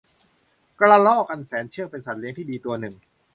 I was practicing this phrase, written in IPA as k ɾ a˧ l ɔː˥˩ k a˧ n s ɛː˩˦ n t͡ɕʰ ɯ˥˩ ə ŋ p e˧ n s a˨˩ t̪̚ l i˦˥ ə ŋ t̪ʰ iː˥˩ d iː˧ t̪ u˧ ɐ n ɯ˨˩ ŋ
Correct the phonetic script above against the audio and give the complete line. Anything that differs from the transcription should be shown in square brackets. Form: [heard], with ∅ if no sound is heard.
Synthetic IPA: k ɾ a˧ l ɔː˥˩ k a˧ n s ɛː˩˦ n t͡ɕʰ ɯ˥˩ ə ŋ p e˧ n s a˨˩ t̪̚ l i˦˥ ə ŋ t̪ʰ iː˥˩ d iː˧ t̪ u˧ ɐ n ɯ˨˩ ŋ